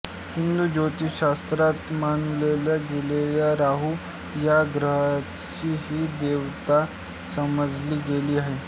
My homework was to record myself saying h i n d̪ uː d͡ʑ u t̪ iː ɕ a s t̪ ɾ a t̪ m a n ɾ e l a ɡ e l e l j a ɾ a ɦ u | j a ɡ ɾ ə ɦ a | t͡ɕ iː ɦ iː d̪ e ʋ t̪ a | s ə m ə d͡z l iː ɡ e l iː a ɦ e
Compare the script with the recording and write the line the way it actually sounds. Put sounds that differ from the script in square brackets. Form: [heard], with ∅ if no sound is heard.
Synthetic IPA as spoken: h i n d̪ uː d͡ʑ [o] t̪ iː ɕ a s t̪ ɾ a t̪ m a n [l] e l a ɡ e l e l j a ɾ a ɦ u | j a ɡ ɾ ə ɦ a | t͡ɕ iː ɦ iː d̪ e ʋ t̪ a | s ə m ə d͡z l iː ɡ e l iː a ɦ e